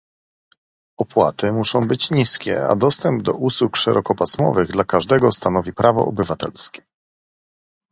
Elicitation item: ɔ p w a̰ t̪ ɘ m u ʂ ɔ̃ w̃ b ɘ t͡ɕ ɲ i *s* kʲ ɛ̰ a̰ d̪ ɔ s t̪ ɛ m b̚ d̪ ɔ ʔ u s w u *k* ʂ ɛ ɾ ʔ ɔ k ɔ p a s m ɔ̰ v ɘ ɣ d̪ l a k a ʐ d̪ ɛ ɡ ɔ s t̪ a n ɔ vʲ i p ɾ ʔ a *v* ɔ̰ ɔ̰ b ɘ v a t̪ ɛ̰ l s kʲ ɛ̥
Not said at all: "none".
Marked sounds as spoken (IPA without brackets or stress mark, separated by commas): s, k, v